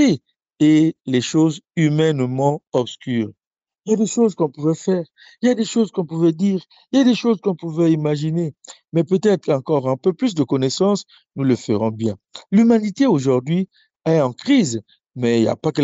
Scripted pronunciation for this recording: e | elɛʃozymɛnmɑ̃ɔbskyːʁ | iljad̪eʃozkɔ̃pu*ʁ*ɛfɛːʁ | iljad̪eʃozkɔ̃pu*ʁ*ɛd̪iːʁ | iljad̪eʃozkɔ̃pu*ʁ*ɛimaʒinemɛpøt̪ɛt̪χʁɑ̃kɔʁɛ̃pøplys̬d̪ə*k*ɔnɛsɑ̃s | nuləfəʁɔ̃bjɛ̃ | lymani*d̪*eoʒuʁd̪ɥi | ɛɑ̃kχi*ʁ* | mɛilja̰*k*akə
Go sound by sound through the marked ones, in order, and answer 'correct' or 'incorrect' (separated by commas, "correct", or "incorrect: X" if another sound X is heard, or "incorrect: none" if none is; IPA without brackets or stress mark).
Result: incorrect: v, incorrect: v, incorrect: v, correct, incorrect: t̪, incorrect: z, incorrect: p